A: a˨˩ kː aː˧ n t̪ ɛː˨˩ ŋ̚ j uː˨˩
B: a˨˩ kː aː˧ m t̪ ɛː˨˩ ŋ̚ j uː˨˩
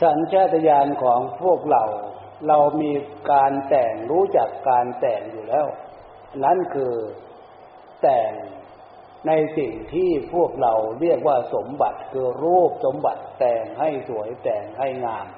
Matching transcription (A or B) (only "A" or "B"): A